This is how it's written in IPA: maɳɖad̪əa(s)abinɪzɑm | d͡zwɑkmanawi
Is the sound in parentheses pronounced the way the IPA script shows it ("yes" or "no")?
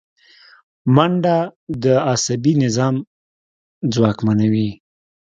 yes